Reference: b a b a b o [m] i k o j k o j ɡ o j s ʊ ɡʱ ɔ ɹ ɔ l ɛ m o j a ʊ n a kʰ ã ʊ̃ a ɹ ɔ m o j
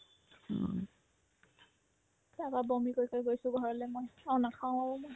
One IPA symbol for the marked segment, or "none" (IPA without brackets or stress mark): m